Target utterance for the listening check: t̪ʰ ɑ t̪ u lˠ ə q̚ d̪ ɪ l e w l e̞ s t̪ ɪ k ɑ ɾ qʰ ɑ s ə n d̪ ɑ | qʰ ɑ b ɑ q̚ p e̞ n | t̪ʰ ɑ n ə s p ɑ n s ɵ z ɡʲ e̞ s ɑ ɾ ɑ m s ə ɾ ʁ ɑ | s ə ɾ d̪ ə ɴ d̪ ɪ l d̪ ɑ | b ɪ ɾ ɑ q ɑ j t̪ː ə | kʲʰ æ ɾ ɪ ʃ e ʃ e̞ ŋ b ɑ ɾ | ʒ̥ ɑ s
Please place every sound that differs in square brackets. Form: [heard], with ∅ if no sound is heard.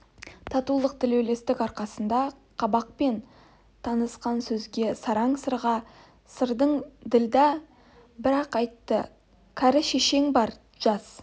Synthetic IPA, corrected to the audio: t̪ʰ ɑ t̪ u lˠ ə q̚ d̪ ɪ l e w l e̞ s t̪ ɪ k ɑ ɾ [q] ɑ s ə n d̪ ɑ | qʰ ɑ b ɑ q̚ p e̞ n | t̪ʰ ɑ n ə s [q] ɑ n s ɵ z ɡʲ e̞ s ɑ ɾ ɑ [ɴ] s ə ɾ ʁ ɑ | s ə ɾ d̪ ə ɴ d̪ ɪ l d̪ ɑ | b ɪ ɾ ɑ q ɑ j t̪ː ə | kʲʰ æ ɾ ɪ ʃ e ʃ e̞ ŋ b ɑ ɾ | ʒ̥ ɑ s